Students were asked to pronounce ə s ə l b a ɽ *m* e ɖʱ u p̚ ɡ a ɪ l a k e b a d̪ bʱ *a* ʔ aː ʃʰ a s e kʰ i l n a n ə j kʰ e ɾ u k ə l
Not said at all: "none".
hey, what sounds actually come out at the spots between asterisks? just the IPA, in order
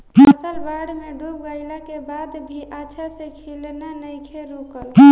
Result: m, i

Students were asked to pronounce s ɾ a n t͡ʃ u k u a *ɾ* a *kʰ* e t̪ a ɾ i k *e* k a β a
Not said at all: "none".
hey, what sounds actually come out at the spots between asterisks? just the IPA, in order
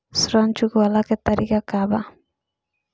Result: l, k, a

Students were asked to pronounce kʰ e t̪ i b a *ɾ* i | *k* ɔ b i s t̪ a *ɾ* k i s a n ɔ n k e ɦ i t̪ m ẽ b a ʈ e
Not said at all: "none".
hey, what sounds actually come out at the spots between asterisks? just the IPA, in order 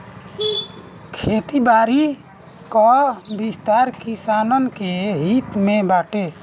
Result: ɾ, k, ɾ

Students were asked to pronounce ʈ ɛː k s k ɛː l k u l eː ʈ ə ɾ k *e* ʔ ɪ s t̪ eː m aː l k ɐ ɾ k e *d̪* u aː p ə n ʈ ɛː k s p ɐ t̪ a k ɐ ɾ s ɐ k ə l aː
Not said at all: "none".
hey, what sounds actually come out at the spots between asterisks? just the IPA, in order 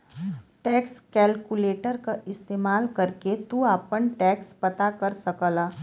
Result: a, t̪

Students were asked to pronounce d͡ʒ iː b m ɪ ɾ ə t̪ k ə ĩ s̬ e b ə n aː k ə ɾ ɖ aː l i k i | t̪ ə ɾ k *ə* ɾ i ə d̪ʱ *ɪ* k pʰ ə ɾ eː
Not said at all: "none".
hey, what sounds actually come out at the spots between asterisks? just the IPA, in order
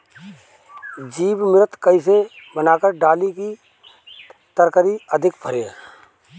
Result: ə, ɪ

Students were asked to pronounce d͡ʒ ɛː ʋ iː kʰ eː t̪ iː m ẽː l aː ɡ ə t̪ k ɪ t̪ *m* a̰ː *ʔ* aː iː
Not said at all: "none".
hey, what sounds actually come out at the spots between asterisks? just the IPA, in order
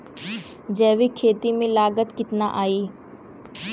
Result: n, ʔ

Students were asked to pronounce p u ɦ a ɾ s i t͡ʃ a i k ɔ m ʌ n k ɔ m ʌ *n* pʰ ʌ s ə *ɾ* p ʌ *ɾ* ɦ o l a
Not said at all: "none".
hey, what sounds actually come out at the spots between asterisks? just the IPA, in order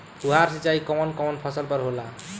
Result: n, l, ɾ

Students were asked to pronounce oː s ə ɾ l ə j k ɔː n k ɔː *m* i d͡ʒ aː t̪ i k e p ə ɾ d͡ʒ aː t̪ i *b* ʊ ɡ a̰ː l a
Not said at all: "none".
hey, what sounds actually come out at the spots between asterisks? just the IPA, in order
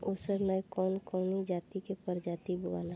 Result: n, b

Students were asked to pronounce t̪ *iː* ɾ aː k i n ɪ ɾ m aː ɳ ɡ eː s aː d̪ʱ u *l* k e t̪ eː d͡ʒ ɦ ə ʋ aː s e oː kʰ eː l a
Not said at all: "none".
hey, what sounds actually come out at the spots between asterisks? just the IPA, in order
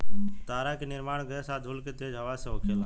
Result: aː, l

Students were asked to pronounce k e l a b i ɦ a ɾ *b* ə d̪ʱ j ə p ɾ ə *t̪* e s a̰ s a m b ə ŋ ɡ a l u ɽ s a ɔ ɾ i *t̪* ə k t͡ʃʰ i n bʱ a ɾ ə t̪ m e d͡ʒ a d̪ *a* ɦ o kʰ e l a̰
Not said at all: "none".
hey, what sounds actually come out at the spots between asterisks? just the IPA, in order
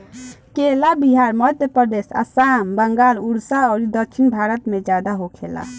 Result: m, d̪, d̪, a

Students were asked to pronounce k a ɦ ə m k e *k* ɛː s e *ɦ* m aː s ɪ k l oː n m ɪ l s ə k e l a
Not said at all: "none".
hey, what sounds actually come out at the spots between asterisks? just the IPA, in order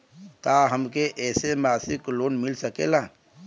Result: ʔ, none

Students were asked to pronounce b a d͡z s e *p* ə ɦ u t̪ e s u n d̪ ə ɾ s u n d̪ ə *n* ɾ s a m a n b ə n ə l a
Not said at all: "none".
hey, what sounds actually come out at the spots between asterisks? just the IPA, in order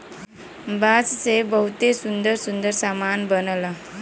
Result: b, none

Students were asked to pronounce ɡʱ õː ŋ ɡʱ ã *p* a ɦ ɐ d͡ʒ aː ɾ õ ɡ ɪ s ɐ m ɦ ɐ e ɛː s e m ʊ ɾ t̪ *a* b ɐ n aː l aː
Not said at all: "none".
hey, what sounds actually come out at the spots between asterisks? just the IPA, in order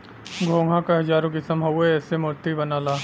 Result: k, i

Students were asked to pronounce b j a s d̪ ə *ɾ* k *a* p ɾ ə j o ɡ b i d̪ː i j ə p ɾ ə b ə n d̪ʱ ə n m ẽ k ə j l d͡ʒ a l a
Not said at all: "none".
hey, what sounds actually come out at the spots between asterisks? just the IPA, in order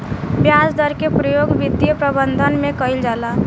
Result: ɾ, e

